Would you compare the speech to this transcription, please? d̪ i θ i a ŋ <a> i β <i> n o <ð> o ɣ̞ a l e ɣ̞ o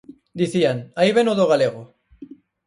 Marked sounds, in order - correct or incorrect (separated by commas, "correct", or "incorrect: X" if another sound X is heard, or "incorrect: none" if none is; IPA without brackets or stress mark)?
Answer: correct, incorrect: e, correct